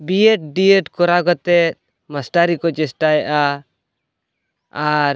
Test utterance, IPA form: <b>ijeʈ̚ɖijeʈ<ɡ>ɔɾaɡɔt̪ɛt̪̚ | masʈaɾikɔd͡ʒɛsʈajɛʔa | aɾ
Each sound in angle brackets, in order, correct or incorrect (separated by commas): correct, incorrect